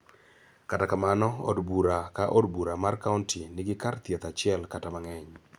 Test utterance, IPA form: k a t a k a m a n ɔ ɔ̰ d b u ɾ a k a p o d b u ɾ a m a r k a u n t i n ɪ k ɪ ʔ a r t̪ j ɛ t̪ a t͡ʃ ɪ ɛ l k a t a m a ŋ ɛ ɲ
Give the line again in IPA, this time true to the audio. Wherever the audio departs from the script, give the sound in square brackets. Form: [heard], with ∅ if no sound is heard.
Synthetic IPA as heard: k a t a k a m a n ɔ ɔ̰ d b u ɾ a k a [ʔ] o d b u ɾ a m a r k a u n t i n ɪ [ɡ] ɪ [k] a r t̪ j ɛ t̪ a t͡ʃ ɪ ɛ l k a t a m a ŋ ɛ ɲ